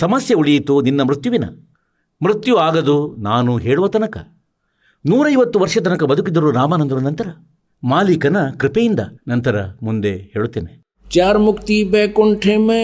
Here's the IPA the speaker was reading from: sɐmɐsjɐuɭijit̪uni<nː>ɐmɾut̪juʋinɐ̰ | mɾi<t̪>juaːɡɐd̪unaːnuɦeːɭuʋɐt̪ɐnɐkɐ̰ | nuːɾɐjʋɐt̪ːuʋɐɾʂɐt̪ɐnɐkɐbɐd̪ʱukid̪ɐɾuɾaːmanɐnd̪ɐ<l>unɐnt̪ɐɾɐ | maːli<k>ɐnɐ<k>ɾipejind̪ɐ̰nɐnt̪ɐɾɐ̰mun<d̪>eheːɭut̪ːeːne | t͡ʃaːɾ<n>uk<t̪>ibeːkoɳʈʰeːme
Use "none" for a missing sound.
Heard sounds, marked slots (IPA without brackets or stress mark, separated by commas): nː, t̪, ɾ, k, k, d̪, m, t̪